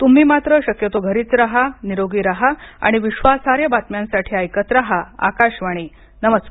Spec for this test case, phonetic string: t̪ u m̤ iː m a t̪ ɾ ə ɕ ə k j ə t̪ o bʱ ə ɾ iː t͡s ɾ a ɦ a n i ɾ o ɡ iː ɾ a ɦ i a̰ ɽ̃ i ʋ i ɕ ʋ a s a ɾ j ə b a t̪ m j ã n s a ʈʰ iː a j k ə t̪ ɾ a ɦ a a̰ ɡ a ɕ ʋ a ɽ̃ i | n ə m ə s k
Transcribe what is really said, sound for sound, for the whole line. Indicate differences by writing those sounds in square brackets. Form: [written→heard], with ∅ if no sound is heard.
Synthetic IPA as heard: t̪ u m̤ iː m a t̪ ɾ ə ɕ ə k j ə t̪ o [bʱ→ɡʱ] ə ɾ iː t͡s ɾ a ɦ a n i ɾ o ɡ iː ɾ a ɦ [i→a] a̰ ɽ̃ i ʋ i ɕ ʋ a s a ɾ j ə b a t̪ m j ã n s a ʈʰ iː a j k ə t̪ ɾ a ɦ a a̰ [ɡ→k] a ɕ ʋ a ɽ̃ i | n ə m ə s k

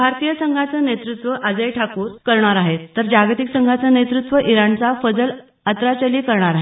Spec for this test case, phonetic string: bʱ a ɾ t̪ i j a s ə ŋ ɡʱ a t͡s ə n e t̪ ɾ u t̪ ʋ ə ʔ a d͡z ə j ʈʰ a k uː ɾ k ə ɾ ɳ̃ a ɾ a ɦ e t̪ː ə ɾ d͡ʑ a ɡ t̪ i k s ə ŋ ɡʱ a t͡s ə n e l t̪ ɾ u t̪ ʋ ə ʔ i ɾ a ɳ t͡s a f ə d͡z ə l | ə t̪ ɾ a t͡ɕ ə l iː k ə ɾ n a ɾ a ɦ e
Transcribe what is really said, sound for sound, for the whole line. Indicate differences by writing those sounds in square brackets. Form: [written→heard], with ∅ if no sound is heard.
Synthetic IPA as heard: bʱ a ɾ t̪ i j [a→ə] s ə ŋ ɡʱ a t͡s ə n e t̪ ɾ u t̪ ʋ ə ʔ a d͡z ə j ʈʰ a k uː ɾ k ə ɾ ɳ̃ a ɾ a ɦ e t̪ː ə ɾ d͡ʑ a ɡ t̪ i k s ə ŋ ɡʱ a t͡s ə n e [l→∅] t̪ ɾ u t̪ ʋ ə ʔ i ɾ a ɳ t͡s a f ə d͡z ə l | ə t̪ ɾ a t͡ɕ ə l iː k ə ɾ [n→ɳ] a ɾ a ɦ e

